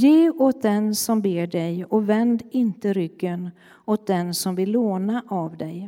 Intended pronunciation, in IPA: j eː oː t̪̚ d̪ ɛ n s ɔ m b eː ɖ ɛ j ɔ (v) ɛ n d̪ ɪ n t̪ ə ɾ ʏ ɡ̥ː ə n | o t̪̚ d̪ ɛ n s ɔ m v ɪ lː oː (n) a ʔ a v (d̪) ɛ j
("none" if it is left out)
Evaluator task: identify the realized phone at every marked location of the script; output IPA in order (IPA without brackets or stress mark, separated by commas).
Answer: v, n, d̪